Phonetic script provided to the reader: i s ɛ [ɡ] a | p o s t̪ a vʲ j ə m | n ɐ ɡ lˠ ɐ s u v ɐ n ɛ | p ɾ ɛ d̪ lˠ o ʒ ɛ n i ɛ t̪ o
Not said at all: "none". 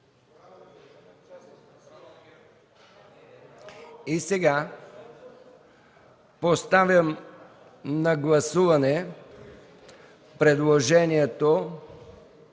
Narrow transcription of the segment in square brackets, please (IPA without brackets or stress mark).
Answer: ɡ